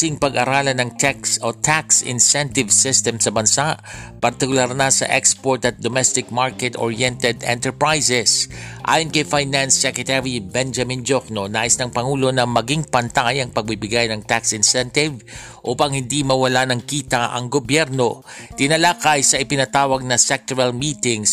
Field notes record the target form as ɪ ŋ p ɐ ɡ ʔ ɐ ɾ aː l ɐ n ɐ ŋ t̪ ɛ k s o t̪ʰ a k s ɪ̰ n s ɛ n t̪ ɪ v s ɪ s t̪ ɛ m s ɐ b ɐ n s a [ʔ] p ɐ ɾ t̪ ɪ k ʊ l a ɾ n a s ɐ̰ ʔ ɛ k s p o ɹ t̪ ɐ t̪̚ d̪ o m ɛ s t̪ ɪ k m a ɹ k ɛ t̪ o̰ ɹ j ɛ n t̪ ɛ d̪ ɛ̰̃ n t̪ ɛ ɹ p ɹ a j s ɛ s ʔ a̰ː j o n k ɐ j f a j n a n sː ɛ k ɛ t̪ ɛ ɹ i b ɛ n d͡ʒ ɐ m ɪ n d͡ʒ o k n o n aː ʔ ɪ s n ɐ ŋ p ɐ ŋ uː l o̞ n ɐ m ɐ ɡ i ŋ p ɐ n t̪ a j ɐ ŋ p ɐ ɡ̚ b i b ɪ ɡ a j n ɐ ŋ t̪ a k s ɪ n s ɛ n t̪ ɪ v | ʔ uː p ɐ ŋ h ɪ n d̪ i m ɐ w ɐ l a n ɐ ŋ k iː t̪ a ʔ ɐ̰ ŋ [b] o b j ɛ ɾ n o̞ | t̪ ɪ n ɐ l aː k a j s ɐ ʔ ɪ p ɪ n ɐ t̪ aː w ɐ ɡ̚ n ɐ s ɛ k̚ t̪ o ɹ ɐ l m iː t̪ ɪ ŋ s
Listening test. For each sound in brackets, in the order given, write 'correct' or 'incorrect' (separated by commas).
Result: correct, incorrect